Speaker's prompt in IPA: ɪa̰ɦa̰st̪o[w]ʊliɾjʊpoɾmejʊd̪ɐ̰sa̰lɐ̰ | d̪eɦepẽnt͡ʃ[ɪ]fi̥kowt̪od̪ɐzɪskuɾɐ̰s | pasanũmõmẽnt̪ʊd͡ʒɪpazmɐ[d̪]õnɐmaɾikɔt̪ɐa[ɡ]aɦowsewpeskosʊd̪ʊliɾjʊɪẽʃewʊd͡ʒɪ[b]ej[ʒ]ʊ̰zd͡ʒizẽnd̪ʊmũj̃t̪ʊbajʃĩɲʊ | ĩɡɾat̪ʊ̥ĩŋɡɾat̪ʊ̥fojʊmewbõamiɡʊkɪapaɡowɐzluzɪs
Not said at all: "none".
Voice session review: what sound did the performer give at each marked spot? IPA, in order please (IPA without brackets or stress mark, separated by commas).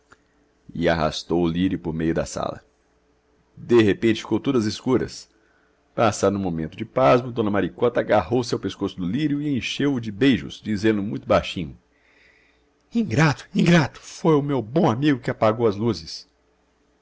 w, ɪ, d̪, ɡ, b, ʒ